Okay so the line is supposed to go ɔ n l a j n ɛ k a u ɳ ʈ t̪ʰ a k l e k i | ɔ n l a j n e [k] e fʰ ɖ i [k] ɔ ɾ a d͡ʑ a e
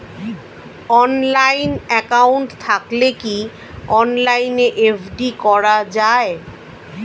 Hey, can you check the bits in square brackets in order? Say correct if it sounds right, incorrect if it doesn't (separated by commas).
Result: incorrect, correct